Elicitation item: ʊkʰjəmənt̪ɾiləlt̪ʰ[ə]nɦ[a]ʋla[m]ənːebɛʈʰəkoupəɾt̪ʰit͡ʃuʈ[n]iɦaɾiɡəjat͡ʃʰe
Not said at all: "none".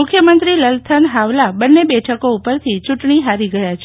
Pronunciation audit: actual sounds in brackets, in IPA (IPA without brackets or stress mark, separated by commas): ə, a, b, ɳ